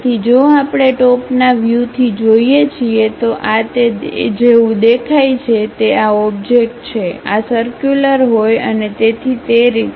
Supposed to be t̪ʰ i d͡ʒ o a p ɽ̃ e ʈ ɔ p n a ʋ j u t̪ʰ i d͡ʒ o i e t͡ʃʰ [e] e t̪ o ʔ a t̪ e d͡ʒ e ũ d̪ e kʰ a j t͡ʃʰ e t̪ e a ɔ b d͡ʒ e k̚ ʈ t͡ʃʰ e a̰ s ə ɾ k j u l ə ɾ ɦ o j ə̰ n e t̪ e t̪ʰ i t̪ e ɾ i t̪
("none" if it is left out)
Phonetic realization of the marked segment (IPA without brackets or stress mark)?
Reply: i